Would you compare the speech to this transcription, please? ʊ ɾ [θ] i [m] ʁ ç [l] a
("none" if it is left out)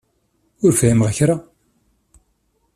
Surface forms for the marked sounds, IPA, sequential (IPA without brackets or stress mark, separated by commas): f, m, ɾ